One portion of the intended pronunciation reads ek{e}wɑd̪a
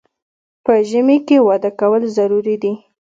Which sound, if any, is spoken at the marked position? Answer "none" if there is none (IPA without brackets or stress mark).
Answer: e